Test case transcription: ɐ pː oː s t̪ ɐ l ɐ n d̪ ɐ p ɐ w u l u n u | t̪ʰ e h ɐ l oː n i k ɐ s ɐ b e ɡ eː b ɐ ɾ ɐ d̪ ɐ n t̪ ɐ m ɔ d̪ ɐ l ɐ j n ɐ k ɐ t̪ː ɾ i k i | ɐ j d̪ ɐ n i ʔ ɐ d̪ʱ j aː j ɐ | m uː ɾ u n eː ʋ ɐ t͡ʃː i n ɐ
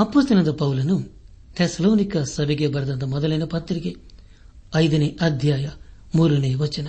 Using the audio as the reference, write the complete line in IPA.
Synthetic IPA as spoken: ɐ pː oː s t̪ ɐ l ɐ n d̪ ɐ p ɐ w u l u n u | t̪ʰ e s ɐ l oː n i k ɐ s ɐ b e ɡ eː b ɐ ɾ ɐ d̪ ɐ n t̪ ɐ m ɔ d̪ ɐ l ɐ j n ɐ p ɐ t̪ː ɾ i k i | ɐ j d̪ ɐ n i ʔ ɐ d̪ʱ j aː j ɐ | m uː ɾ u n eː ʋ ɐ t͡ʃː i n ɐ